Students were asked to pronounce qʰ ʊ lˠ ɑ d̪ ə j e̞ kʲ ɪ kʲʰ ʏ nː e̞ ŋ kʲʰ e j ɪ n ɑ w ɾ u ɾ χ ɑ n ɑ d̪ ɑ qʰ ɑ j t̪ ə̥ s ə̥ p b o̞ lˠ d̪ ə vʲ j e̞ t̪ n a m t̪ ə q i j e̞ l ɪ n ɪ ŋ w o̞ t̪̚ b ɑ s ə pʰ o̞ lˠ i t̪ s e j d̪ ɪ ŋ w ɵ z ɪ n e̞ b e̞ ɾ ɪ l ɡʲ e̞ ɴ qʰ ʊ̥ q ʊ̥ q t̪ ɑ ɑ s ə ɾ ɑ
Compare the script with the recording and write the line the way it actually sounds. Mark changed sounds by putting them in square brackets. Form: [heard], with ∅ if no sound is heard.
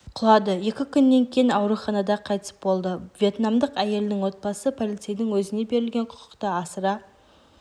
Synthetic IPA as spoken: qʰ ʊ lˠ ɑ d̪ ə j e̞ kʲ ɪ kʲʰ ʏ nː e̞ ŋ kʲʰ e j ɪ n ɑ w ɾ u [∅] χ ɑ n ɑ d̪ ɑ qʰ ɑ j t̪ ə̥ s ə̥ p b o̞ lˠ d̪ ə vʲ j e̞ t̪ n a m [d̪] ə q [æ] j e̞ l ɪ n ɪ ŋ w o̞ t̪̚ b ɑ s ə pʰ o̞ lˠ i t̪ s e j d̪ ɪ ŋ w ɵ z ɪ n e̞ b e̞ ɾ ɪ l ɡʲ e̞ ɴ qʰ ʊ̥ q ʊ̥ q t̪ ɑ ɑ s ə ɾ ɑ

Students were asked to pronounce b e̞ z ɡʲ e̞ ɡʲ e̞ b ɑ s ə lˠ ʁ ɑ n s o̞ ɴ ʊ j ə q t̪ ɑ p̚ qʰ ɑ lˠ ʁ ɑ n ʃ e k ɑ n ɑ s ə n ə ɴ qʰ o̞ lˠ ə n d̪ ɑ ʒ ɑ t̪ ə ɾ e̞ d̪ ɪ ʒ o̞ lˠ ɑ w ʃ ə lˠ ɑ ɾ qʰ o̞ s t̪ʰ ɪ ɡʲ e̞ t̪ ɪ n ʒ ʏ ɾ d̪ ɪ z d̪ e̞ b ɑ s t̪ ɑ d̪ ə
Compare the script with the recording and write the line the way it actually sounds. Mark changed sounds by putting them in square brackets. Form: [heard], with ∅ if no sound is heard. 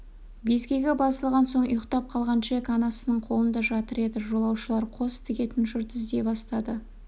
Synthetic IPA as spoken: b e̞ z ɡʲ e̞ ɡʲ e̞ b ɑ s ə lˠ ʁ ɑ n s o̞ ɴ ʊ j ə q t̪ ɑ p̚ qʰ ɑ lˠ ʁ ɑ n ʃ e k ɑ n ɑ s ə n ə ɴ qʰ o̞ lˠ ə n d̪ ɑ ʒ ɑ t̪ ə ɾ e̞ d̪ ɪ ʒ o̞ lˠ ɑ w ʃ ə lˠ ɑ ɾ qʰ o̞ s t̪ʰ ɪ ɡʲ e̞ t̪ ɪ n ʒ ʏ ɾ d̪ ɪ z d̪ e̞ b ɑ s t̪ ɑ d̪ ə

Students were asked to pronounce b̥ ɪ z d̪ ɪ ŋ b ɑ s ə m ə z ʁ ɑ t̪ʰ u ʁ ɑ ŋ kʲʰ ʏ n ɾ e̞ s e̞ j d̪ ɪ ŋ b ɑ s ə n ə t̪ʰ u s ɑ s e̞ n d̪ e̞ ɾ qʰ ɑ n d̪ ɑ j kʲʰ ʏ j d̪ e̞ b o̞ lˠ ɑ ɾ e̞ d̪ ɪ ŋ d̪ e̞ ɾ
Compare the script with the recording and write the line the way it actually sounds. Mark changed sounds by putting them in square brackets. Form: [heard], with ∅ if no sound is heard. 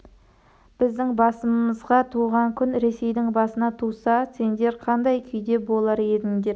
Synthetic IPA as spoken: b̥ ɪ z d̪ ɪ ŋ b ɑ s ə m ə z ʁ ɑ t̪ʰ u ʁ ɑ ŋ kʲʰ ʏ n ɾ e̞ s e̞ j d̪ ɪ ŋ b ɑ s ə n [ɑ] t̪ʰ u s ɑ s e̞ n d̪ e̞ ɾ qʰ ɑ n d̪ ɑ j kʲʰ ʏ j d̪ e̞ b o̞ lˠ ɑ ɾ e̞ d̪ ɪ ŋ d̪ e̞ ɾ

